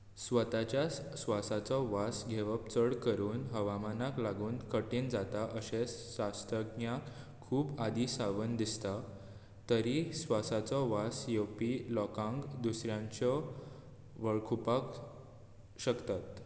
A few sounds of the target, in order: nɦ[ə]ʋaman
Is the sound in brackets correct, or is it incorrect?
correct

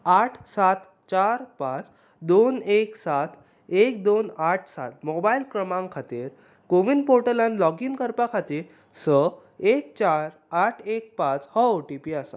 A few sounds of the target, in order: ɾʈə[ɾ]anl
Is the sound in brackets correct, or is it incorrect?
incorrect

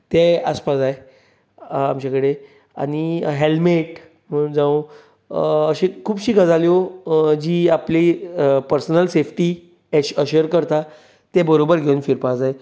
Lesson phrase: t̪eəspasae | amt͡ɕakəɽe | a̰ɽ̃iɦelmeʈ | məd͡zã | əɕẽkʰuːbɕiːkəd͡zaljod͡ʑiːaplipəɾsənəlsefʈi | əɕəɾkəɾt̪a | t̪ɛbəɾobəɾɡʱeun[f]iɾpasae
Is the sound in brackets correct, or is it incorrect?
correct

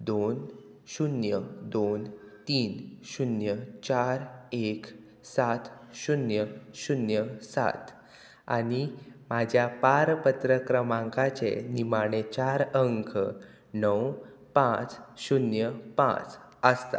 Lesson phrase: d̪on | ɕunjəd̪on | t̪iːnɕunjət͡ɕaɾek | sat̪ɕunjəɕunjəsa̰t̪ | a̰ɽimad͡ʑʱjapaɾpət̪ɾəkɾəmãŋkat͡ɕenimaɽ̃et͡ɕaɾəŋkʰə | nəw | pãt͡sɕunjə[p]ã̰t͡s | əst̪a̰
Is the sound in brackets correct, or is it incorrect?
correct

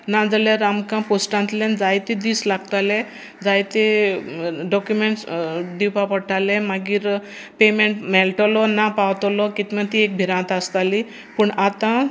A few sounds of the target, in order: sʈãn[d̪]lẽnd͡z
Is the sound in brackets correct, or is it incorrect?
incorrect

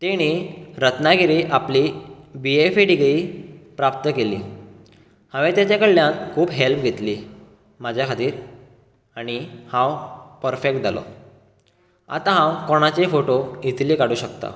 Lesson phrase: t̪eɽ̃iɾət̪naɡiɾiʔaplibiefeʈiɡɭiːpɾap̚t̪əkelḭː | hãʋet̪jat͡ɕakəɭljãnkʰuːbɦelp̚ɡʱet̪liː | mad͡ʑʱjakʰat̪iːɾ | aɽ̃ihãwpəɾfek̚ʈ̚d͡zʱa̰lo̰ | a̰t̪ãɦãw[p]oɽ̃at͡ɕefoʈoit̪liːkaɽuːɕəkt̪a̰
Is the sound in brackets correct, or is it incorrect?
incorrect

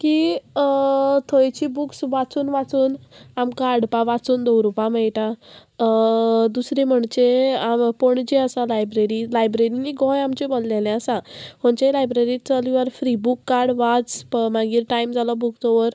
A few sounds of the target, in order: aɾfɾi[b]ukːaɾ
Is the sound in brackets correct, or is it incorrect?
correct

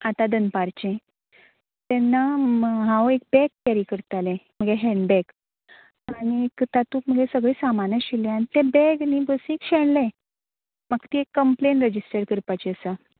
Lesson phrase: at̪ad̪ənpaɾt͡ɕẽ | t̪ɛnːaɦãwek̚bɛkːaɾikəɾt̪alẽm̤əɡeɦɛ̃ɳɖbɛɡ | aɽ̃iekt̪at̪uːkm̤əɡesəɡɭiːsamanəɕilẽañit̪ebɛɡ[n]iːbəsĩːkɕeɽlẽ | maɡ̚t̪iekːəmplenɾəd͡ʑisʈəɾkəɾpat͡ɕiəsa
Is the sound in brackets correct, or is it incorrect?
correct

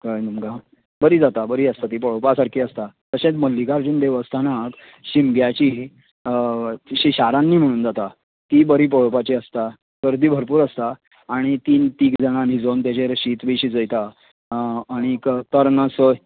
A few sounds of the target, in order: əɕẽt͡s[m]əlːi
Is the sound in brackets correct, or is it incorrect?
correct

